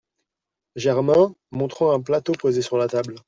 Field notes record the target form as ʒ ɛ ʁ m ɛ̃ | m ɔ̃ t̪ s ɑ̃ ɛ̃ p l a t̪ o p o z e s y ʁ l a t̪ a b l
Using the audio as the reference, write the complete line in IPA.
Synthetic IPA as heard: ʒ ɛ ʁ m ɛ̃ | m ɔ̃ t̪ χ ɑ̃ ɛ̃ p l a t̪ o p o z e s y ʁ l a t̪ a b l